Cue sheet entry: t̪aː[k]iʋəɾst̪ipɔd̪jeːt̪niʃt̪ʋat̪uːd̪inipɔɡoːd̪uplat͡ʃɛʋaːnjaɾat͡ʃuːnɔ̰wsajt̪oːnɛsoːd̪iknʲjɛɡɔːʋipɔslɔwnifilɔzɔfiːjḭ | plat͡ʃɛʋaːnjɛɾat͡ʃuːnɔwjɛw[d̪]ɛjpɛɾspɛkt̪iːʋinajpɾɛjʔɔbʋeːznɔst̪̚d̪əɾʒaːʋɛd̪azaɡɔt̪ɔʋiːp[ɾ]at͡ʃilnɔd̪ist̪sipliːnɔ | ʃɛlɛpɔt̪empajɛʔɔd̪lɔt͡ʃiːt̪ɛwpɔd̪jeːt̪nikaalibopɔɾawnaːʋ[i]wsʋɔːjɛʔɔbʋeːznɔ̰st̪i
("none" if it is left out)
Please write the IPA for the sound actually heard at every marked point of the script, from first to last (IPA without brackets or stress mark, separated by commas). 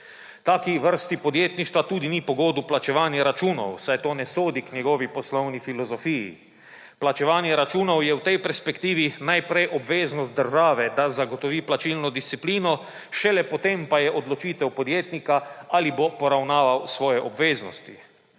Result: k, t̪, l, a